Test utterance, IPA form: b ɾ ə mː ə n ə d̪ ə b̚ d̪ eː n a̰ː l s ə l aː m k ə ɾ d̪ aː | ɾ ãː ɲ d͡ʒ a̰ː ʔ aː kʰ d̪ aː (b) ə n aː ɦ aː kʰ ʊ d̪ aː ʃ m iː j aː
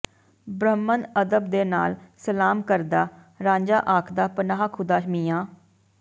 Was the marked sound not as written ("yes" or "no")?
yes